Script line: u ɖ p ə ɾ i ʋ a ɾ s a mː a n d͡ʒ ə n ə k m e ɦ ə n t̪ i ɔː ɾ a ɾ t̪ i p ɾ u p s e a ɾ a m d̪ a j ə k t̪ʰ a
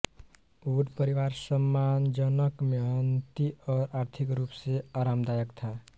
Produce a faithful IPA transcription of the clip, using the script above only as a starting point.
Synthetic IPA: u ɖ p ə ɾ i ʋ a ɾ s ə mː a n d͡ʒ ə n ə k m e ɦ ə n t̪ i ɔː ɾ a ɾ t̪ʰ i k ɾ u p s e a ɾ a m d̪ a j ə k t̪ʰ a